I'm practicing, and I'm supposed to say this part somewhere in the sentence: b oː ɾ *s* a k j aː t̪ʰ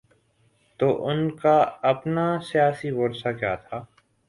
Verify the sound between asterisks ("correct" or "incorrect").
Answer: correct